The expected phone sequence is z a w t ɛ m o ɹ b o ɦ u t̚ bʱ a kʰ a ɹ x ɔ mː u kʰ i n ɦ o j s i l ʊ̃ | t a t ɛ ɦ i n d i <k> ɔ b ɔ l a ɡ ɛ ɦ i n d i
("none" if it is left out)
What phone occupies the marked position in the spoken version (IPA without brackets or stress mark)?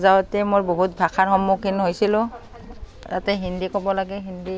k